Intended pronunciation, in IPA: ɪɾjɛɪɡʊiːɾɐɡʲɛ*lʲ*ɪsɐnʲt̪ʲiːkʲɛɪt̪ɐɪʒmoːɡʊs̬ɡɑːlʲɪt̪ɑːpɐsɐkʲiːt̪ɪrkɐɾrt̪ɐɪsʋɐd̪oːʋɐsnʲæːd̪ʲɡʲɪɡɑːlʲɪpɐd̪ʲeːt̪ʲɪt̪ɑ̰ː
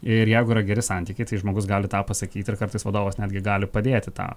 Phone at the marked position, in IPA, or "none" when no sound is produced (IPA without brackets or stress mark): ɾʲ